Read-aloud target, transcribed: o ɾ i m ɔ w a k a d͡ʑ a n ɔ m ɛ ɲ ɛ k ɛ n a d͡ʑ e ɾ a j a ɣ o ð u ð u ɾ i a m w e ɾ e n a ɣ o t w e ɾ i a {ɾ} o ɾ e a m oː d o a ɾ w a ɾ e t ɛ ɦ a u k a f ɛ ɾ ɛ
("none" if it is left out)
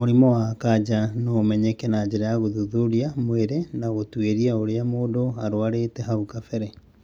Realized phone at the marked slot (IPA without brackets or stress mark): none